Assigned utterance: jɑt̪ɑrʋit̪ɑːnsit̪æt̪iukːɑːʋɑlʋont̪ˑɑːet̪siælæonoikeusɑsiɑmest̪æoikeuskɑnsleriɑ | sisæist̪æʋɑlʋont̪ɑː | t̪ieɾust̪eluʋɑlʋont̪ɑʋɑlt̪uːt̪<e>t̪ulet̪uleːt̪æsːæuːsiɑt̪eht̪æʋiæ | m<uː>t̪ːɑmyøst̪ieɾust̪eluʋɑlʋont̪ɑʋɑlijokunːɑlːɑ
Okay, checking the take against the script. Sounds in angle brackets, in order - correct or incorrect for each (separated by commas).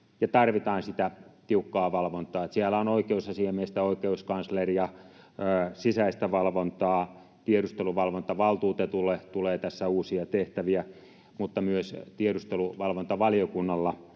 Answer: correct, incorrect